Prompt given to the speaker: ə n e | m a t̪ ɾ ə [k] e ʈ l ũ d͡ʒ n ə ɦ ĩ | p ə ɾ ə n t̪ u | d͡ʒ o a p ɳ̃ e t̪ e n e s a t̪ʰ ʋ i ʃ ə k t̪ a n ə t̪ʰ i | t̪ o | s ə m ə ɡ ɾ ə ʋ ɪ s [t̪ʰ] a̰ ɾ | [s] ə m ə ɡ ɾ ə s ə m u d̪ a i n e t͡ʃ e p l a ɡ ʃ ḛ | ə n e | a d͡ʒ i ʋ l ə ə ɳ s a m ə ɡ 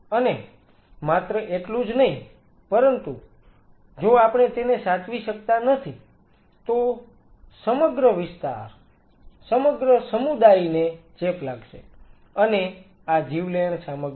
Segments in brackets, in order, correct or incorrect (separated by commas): incorrect, incorrect, correct